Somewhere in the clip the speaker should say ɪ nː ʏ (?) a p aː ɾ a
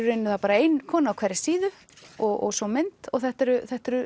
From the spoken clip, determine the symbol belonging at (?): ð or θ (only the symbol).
θ